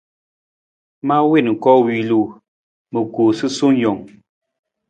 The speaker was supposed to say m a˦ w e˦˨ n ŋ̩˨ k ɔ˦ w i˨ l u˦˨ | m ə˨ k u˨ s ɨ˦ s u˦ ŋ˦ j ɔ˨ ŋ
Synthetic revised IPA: m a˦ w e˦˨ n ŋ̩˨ k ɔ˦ w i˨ l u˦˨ | m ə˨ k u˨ s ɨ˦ s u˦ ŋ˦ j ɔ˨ ŋ

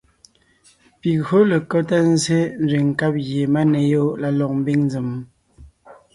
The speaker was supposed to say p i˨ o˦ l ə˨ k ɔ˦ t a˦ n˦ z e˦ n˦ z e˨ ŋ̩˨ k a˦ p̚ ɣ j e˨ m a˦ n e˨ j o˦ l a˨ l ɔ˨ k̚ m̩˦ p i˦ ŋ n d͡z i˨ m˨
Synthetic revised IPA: p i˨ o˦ l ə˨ k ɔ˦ t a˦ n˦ z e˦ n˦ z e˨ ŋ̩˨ k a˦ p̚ ɣ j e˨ m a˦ n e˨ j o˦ l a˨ l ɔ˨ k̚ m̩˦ b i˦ ŋ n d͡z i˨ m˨

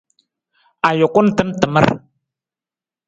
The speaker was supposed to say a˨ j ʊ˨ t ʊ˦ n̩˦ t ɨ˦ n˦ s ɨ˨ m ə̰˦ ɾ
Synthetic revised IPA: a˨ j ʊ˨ k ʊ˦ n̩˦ t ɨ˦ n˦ t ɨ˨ m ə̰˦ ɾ

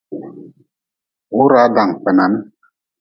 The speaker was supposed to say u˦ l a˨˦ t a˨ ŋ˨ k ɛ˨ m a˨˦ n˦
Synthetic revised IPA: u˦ ɾ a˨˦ d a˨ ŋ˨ k͡p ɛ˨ n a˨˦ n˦

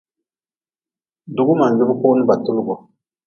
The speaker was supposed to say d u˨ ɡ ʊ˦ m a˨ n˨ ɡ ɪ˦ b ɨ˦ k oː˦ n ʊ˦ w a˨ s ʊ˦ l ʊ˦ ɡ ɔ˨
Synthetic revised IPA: d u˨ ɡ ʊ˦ m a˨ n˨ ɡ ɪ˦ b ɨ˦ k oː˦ n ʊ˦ b a˨ t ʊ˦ l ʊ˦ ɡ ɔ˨

